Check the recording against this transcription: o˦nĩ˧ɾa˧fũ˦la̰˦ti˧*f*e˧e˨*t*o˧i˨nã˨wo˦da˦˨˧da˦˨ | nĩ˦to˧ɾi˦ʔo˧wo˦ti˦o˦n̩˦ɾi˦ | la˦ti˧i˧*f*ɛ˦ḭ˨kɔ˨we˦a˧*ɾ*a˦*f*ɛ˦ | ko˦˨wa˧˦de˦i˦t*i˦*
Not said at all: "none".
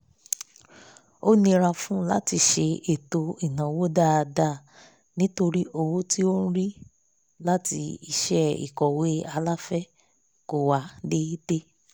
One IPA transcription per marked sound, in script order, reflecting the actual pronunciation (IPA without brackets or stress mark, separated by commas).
ʃ, t, ʃ, l, f, e˦